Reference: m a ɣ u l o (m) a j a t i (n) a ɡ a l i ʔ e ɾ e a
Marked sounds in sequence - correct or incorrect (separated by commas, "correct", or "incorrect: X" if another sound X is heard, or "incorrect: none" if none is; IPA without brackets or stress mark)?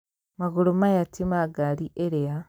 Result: correct, incorrect: m